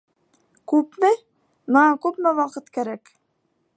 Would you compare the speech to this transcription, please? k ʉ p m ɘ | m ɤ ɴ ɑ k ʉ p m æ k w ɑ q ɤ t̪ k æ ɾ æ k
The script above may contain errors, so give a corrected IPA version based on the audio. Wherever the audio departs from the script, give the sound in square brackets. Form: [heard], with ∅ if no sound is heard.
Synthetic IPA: k ʉ p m ɘ | m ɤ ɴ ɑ k ʉ p m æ [∅] w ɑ q ɤ t̪ k æ ɾ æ k